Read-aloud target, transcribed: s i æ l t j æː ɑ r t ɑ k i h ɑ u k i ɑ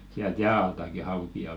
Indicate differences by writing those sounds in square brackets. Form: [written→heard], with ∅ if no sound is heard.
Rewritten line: s i æ l t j æː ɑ [r→l] t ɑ k i h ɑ u k i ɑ